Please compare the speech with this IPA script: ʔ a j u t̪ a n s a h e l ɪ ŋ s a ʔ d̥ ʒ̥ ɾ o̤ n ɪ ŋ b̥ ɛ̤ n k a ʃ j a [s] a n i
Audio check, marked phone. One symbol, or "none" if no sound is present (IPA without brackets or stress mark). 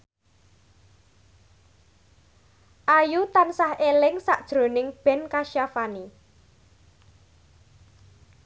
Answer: f